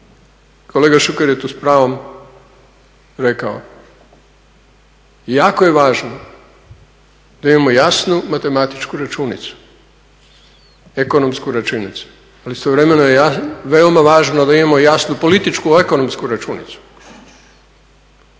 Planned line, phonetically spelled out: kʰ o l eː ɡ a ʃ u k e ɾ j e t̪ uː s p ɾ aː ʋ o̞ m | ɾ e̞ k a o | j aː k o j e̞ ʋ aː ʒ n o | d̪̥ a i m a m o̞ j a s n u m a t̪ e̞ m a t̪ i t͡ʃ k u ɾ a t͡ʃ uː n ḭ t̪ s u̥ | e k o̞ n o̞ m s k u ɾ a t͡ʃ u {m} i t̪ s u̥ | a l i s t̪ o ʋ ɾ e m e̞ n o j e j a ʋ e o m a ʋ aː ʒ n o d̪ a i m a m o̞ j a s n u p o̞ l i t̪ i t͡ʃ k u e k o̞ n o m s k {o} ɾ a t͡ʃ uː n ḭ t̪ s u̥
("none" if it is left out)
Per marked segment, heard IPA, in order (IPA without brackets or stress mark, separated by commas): n, u